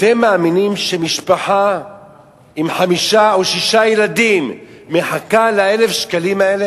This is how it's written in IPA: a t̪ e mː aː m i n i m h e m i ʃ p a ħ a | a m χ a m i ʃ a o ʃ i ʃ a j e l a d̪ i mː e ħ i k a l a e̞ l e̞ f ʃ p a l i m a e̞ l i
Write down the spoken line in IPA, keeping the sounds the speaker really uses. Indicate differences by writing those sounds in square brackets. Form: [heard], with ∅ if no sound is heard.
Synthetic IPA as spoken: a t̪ e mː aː m i n i m [ʃ] e m i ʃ p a ħ a | [i] m [ħ] a m i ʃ a o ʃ i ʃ a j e l a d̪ i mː e ħ [a] k a l a e̞ l e̞ f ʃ [k] a l i m a e̞ l [e]

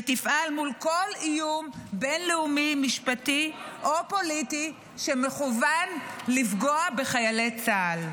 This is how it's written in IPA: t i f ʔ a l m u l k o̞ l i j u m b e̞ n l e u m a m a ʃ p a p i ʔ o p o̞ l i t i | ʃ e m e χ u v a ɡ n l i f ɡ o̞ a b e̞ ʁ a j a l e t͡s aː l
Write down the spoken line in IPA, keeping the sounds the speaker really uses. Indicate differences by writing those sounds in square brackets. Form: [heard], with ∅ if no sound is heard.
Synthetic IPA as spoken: t i f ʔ a l m u l k o̞ l i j u m b e̞ n l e u m [i] m [i] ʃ p a [t] i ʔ o p o̞ l i t i | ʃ e m e χ u v a [∅] n l i f ɡ o̞ a b e̞ [χ] a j a l e t͡s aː l

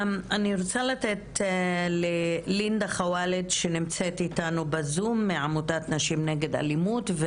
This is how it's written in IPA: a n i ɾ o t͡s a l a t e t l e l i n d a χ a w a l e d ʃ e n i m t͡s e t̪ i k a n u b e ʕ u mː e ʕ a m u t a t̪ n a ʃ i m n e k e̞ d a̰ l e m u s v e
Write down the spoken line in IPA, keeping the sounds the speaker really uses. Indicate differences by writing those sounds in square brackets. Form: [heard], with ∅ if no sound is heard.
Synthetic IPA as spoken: a n i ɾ o t͡s a l a t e t l e l i n d a χ a w a l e d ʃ e n i m t͡s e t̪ i [t] a n u b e [z] u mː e ʕ a m u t a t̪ n a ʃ i m n e [ɡ] e̞ d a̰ l [i] m u [t] v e

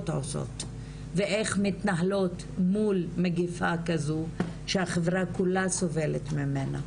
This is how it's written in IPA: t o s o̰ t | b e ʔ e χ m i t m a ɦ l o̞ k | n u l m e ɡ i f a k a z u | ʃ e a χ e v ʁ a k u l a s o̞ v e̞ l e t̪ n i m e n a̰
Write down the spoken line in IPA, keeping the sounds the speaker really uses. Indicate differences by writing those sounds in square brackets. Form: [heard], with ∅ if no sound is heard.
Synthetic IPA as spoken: t o s o̰ t | [v] e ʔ e χ m i t [n] a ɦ l o̞ [t] | [m] u l m e ɡ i f a k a z u | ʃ e a χ e v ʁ a k u l a s o̞ v e̞ l e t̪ [m] i m e n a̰

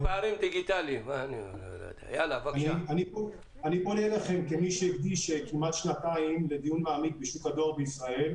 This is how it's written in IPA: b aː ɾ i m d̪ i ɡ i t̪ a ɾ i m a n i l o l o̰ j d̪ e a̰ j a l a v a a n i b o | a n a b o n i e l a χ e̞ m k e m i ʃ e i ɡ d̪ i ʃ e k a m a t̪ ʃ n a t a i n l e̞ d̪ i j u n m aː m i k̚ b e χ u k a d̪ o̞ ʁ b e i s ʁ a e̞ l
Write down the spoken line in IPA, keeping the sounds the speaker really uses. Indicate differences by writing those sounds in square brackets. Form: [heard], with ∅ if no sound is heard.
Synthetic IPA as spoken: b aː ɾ i m d̪ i ɡ i t̪ a [l] i m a n i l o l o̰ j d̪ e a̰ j a l a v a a n i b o | a n [i] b o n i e l a χ e̞ m k e m i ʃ e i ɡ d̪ i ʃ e k [i] m a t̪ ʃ n a t a i [m] l e̞ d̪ i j u n m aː m i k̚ b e [ʃ] u k a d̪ o̞ ʁ b e i s ʁ a e̞ l

